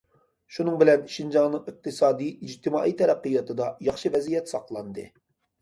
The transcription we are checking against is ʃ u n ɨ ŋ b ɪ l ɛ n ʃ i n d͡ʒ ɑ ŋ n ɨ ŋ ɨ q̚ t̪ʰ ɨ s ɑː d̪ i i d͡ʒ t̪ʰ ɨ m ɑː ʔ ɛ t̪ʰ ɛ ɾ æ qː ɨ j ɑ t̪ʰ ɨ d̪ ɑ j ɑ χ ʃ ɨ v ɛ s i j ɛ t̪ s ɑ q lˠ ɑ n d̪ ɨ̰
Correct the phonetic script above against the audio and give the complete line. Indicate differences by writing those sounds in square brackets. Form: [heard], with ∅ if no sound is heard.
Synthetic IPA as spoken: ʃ u n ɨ ŋ b ɪ l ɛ n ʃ i n d͡ʒ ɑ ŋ n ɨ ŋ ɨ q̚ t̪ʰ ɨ s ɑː d̪ i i d͡ʒ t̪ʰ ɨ m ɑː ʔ [i] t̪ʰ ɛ ɾ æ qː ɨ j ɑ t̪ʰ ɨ d̪ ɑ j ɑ χ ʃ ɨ v ɛ [z] i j ɛ t̪ s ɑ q lˠ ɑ n d̪ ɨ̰